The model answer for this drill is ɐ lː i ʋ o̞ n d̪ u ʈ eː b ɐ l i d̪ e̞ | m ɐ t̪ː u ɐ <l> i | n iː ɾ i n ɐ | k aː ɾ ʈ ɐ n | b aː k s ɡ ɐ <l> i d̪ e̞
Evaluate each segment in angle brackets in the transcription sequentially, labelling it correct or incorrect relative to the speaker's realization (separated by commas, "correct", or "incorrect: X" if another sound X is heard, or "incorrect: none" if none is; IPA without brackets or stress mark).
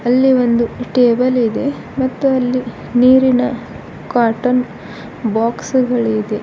incorrect: lː, incorrect: ɭ